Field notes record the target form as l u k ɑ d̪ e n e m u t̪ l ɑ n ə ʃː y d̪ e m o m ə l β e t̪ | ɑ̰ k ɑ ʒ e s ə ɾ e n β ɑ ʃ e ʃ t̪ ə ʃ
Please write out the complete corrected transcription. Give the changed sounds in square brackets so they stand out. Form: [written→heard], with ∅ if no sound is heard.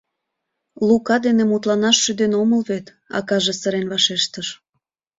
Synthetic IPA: l u k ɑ d̪ e n e m u t̪ l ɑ n [ə→ɑ] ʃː y d̪ e [m→n] o m ə l β e t̪ | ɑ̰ k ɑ ʒ e s ə ɾ e n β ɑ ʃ e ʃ t̪ ə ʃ

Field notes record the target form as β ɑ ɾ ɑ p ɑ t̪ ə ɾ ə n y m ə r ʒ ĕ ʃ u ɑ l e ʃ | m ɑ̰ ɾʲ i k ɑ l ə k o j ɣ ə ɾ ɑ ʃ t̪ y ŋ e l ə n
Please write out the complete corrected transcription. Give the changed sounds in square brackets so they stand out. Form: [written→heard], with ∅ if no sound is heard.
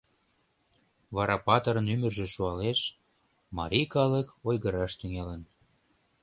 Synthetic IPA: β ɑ ɾ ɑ p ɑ t̪ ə ɾ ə n y m ə r ʒ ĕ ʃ u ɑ l e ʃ | m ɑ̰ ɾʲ i k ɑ l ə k o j ɣ ə ɾ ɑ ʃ t̪ y ŋ e l ə n

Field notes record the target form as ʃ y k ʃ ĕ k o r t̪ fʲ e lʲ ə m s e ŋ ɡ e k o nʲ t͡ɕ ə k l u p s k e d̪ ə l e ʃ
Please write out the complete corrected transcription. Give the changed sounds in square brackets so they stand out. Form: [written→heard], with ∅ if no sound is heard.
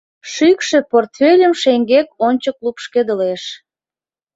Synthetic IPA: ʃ y k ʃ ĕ [k→p] o r t̪ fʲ e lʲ ə m [s→ʃ] e ŋ ɡ e k o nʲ t͡ɕ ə k l u p [s→ʃ] k e d̪ ə l e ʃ

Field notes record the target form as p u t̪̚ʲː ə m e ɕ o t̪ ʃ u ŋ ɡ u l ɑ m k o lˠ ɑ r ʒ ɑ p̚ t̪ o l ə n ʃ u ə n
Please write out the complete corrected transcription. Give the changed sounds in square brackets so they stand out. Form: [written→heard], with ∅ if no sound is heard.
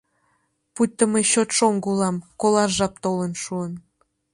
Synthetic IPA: p u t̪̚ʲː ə m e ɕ o t̪ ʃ [u→o] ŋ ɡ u l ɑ m k o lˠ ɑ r ʒ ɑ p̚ t̪ o l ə n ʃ u ə n

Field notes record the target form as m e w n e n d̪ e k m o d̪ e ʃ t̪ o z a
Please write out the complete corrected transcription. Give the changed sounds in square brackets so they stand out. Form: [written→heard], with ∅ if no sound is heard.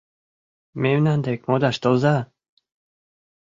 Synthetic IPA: m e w n [e→a] n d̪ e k m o d̪ [e→a] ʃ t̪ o z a

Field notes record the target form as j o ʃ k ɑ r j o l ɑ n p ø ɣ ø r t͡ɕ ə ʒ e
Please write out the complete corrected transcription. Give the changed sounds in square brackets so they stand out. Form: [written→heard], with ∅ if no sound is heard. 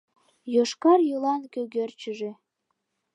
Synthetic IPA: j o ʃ k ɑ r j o l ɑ n [p→k] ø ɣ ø r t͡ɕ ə ʒ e

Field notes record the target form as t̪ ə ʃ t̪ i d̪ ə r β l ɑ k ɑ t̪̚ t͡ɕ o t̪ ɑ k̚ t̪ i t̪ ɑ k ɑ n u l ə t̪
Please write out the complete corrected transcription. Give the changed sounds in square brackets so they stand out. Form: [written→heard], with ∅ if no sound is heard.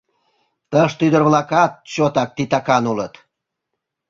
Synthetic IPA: t̪ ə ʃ t̪ [i→y] d̪ ə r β l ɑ k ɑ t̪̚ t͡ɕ o t̪ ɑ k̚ t̪ i t̪ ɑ k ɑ n u l ə t̪

